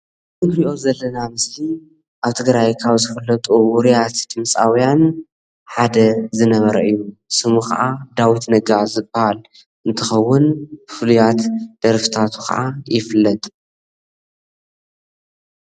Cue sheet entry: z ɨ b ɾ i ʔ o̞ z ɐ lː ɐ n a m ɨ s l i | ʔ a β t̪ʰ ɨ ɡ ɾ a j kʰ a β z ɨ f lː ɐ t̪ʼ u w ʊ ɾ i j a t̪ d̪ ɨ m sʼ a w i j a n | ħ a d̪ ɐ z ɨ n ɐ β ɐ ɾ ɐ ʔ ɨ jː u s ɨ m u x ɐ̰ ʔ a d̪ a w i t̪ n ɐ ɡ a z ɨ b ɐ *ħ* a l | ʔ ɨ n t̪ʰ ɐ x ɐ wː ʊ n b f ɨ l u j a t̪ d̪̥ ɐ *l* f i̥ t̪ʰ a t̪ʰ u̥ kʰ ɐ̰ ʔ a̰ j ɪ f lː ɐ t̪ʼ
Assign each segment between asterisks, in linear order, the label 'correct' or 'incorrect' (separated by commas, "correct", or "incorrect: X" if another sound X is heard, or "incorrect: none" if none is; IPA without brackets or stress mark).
incorrect: h, incorrect: ɾ